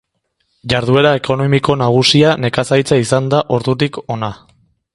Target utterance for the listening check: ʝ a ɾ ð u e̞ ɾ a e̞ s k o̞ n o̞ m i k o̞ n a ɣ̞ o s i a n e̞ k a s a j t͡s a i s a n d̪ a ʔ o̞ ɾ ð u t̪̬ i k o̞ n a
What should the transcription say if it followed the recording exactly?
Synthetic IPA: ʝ a ɾ ð u e̞ ɾ a e̞ k o̞ n o̞ m i k o̞ n a ɣ̞ u s i a n e̞ k a s a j t͡s a i s a n d̪ a ʔ o̞ ɾ ð u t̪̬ i k o̞ n a